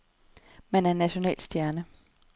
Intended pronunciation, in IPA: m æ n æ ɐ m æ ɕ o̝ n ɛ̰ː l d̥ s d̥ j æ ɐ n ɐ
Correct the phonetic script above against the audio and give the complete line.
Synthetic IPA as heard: m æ n æ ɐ n æ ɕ o̝ n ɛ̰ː l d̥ s d̥ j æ ɐ n ə